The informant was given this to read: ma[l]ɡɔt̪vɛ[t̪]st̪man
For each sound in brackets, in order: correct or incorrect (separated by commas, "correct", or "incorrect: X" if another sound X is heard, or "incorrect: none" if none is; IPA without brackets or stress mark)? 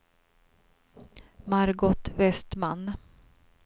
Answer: incorrect: ɾ, incorrect: none